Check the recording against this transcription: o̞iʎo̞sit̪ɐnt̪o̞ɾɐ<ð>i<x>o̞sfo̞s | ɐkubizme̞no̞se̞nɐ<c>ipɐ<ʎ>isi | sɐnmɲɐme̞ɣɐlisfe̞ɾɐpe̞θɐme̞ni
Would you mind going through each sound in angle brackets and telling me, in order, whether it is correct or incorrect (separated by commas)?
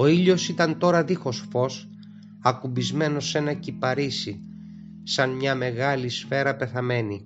correct, correct, correct, incorrect